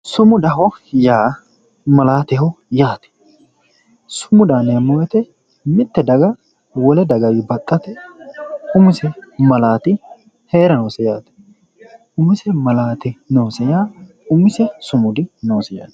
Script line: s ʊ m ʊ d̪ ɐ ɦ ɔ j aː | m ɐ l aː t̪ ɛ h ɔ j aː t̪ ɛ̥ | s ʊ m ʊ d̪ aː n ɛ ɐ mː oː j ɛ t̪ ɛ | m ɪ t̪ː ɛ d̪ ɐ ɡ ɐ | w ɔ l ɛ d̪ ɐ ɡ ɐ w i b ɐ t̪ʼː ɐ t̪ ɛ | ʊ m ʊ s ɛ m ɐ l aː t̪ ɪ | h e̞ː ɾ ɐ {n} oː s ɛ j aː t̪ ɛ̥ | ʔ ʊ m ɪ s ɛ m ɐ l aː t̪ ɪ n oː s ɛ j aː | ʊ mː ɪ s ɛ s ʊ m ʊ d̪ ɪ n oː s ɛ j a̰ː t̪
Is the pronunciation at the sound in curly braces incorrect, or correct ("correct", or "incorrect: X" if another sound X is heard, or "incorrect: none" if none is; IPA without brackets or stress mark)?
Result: correct